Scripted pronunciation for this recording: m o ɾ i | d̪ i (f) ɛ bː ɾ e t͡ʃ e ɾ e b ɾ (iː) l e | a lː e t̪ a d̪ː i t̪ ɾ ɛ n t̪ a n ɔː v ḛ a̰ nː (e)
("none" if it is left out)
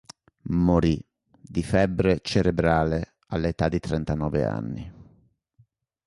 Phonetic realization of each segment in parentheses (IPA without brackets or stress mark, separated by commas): f, aː, i